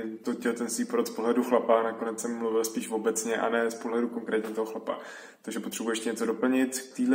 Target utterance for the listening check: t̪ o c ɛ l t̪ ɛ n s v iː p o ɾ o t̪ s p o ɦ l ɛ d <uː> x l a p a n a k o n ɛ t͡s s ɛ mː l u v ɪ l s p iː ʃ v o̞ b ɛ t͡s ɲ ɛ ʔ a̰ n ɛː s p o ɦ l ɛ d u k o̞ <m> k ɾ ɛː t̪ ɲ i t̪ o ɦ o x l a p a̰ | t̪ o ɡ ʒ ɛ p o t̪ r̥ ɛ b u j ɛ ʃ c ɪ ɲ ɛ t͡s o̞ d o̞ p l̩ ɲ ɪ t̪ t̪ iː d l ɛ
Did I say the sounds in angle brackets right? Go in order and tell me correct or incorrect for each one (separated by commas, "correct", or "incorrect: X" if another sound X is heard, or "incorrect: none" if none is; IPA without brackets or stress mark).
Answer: incorrect: u, incorrect: ŋ